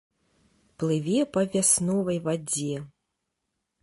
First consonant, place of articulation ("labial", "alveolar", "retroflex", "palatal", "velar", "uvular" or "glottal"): labial